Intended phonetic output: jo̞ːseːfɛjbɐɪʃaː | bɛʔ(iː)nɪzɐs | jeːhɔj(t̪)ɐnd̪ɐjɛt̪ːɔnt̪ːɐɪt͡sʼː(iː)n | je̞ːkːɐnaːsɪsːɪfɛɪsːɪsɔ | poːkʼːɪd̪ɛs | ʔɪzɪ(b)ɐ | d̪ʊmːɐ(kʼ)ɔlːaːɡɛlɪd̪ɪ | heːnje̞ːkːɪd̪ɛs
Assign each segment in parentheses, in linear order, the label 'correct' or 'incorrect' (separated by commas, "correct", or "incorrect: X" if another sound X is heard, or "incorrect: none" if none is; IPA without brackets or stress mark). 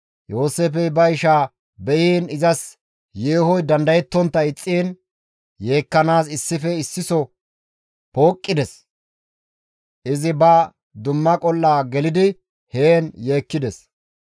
correct, incorrect: d̪, correct, correct, correct